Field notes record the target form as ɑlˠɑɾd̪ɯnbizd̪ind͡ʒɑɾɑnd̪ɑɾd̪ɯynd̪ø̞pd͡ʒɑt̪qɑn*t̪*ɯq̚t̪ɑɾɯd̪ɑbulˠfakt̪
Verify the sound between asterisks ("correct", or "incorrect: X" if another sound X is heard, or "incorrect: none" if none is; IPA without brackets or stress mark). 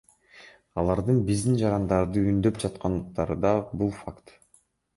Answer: incorrect: d̪